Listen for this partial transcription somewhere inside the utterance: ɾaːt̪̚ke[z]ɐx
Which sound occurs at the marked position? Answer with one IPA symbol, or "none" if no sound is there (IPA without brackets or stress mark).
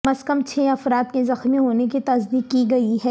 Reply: z